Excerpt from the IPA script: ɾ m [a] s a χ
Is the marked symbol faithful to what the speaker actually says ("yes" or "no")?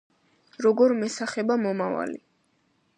no